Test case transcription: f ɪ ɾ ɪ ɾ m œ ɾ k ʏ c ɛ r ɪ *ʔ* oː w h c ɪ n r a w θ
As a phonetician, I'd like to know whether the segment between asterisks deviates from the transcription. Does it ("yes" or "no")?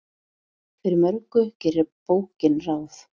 yes